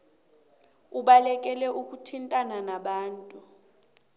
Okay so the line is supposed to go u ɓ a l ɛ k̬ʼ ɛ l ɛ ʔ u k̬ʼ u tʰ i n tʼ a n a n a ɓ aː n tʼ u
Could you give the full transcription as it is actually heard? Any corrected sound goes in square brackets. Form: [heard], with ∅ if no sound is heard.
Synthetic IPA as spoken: u ɓ a l ɛ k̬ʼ ɛ l ɛ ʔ u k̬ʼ u tʰ i n tʼ a n a n a ɓ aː n tʼ u